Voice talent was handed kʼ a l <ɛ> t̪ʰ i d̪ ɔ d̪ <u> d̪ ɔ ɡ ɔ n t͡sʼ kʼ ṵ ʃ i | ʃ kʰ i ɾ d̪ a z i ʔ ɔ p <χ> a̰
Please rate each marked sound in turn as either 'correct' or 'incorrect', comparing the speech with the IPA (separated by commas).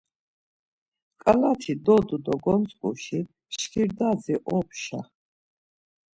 incorrect, correct, incorrect